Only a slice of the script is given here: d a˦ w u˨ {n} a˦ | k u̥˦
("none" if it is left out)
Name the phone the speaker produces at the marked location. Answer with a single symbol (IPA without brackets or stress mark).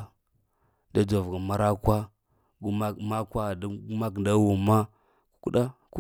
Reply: m